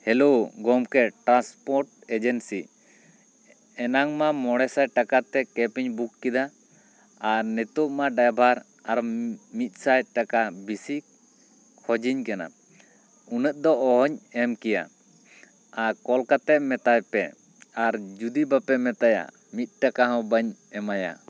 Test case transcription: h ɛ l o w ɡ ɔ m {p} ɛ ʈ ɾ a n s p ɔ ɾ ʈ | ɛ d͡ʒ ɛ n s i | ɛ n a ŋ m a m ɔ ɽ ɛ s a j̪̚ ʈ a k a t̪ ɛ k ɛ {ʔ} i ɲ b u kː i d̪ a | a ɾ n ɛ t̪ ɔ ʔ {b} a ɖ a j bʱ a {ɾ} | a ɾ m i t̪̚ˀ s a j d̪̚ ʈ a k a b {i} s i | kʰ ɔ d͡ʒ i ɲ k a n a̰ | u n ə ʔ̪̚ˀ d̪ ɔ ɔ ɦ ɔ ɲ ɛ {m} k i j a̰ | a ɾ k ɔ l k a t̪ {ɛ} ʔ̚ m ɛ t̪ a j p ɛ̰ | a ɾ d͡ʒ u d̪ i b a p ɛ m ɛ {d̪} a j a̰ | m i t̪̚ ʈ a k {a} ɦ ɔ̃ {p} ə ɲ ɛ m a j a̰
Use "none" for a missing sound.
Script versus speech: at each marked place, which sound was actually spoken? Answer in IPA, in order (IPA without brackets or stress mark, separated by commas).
k, p, m, ɾ, i, m, ɛ, t̪, a, b